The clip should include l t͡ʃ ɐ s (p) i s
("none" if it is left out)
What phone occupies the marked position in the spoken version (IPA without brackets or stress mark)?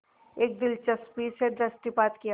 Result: p